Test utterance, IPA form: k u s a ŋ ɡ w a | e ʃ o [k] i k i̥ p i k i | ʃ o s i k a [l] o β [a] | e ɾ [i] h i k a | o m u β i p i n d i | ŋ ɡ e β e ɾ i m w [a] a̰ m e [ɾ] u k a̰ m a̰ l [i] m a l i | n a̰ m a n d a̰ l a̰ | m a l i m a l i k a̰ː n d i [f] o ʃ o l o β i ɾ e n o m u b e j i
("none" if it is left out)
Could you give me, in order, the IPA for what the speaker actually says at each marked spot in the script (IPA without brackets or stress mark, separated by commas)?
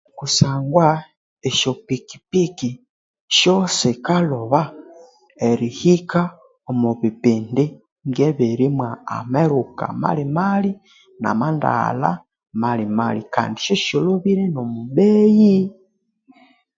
p, l, a, i, a, ɾ, i, ʃ